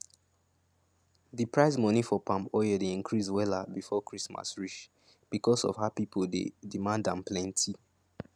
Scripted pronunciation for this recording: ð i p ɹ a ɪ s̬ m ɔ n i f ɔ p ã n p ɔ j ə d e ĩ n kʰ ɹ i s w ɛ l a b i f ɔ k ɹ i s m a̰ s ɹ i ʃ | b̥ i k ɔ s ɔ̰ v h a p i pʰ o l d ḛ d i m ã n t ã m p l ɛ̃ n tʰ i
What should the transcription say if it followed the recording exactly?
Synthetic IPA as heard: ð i p ɹ a ɪ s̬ m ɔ n i f ɔ p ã m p ɔ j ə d e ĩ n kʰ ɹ i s w ɛ l a b i f ɔ k ɹ i s m a̰ s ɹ i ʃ | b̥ i k ɔ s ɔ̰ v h a p i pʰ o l d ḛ d i m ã n d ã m p l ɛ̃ n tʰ i